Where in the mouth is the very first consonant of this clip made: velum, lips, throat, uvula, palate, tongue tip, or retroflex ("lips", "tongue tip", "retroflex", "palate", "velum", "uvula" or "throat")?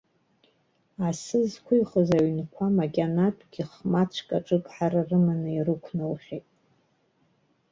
tongue tip